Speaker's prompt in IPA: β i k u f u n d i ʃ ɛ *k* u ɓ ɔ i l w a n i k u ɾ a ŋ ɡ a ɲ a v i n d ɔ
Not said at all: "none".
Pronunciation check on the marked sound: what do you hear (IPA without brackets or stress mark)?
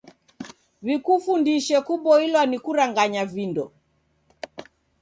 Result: k